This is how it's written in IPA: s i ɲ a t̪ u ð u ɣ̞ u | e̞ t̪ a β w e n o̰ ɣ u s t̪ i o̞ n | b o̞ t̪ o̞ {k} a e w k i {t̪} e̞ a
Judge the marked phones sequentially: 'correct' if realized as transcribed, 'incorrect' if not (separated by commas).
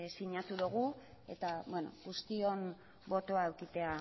incorrect, correct